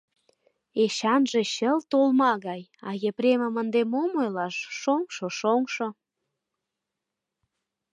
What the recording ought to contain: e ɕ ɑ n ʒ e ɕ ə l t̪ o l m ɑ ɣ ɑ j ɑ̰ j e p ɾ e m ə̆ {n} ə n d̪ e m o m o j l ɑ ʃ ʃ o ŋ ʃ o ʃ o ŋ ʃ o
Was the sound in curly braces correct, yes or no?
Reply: no